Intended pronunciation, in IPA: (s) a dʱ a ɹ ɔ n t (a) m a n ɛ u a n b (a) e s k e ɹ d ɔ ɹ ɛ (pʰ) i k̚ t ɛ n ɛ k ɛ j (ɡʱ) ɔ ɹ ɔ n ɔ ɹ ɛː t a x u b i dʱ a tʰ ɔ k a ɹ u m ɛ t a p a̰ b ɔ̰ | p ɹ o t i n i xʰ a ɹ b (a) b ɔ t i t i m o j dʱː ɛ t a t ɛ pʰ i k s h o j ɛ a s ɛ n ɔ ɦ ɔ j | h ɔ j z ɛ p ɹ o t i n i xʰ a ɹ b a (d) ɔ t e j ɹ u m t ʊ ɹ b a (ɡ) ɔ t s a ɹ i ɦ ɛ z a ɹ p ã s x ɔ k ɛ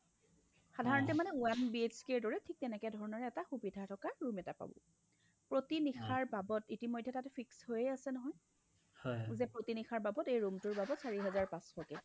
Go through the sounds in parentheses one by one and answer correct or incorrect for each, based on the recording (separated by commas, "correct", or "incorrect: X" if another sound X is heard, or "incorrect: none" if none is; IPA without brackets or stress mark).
incorrect: x, incorrect: ɛ, incorrect: i, incorrect: tʰ, incorrect: dʱ, correct, incorrect: b, incorrect: b